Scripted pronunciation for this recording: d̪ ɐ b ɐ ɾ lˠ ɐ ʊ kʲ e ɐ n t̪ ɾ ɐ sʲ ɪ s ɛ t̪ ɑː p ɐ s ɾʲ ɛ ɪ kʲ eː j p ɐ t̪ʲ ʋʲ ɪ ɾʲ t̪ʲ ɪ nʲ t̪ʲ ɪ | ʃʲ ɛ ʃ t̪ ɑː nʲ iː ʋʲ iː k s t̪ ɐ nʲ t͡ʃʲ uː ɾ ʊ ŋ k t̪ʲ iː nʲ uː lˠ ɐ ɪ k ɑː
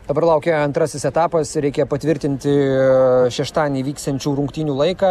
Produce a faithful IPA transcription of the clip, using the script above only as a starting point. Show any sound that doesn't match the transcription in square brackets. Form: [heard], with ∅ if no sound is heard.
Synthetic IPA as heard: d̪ ɐ b ɐ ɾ lˠ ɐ ʊ kʲ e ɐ n t̪ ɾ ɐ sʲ ɪ s ɛ t̪ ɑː p ɐ s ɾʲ ɛ ɪ kʲ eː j p ɐ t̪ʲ ʋʲ ɪ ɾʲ t̪ʲ ɪ nʲ t̪ʲ ɪ | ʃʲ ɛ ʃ t̪ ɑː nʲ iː ʋʲ iː k s t̪ ɐ nʲ t͡ʃʲ uː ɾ ʊ ŋ k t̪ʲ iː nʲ uː lˠ ɐ ɪ k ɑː